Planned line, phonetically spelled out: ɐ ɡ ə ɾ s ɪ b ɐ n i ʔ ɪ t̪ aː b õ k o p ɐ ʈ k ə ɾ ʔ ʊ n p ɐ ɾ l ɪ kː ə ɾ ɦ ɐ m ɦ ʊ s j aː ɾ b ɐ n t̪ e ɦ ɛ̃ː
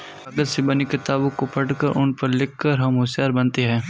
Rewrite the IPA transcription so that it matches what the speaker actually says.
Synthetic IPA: ɐ ɡ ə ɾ s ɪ b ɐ n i k ɪ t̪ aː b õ k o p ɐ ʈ k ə ɾ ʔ ʊ n p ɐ ɾ l ɪ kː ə ɾ ɦ ɐ m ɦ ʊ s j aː ɾ b ɐ n t̪ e ɦ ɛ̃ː